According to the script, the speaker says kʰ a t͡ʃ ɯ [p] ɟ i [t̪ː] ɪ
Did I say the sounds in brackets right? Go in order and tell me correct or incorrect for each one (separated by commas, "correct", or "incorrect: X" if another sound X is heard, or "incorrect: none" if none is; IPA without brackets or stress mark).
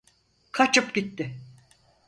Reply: correct, correct